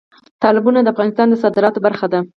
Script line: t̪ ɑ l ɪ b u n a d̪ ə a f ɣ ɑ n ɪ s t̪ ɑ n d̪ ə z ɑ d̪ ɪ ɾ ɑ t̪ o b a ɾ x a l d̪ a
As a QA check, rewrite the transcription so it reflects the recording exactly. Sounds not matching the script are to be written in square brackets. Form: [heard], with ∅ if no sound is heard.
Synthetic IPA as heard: t̪ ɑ l ɪ b u n a d̪ ə a f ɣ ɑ n ɪ s t̪ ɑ n d̪ ə [s] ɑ d̪ ɪ ɾ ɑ t̪ o b a ɾ x a [∅] d̪ a